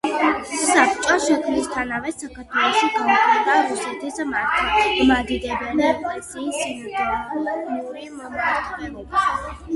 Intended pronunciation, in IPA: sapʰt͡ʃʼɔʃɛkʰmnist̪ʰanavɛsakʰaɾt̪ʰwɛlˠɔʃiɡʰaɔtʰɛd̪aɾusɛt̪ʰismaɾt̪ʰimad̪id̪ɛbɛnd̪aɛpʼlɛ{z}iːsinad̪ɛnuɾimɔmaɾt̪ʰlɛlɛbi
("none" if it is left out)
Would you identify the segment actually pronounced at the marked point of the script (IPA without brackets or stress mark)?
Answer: s